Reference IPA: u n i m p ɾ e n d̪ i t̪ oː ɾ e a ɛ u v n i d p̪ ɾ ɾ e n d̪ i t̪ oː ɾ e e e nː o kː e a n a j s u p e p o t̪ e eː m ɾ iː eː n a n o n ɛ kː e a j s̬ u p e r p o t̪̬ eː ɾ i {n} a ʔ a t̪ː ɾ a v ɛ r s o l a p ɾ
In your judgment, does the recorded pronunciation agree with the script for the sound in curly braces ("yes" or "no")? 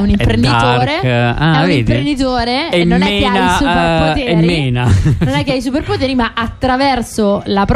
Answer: no